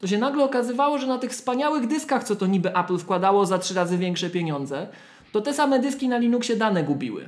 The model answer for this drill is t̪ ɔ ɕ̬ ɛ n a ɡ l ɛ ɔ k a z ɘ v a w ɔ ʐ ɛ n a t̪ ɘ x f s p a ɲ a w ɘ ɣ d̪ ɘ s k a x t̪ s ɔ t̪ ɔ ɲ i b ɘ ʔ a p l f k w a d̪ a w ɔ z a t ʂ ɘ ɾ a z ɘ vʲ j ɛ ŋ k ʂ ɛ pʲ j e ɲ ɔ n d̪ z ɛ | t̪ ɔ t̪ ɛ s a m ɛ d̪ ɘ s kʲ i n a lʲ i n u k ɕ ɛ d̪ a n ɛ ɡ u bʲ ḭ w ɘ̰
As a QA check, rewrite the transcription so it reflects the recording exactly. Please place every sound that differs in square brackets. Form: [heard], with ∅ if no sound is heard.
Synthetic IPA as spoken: t̪ ɔ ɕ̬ ɛ n a ɡ l ɛ ɔ k a z ɘ v a w ɔ ʐ ɛ n a t̪ ɘ x f s p a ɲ a w ɘ ɣ d̪ ɘ s k a x t̪ s ɔ t̪ ɔ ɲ i b ɘ ʔ a p l f k w a d̪ a w ɔ z a t ʂ ɘ ɾ a z ɘ vʲ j ɛ ŋ k ʂ ɛ pʲ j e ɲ ɔ n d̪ z ɛ | t̪ ɔ t̪ ɛ s a m ɛ d̪ ɘ s kʲ i n a lʲ i n u k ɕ ɛ d̪ a n ɛ ɡ u bʲ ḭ w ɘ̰